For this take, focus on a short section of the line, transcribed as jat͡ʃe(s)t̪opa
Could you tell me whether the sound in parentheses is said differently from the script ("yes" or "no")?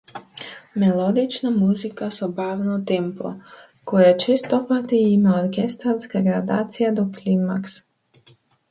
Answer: no